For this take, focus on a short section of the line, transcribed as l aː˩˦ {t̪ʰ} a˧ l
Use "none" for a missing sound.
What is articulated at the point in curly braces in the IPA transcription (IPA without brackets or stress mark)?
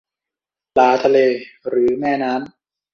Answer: t̪ʰ